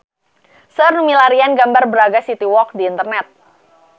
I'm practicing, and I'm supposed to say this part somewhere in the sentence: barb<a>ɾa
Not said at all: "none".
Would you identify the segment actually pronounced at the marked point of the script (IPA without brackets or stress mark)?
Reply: ə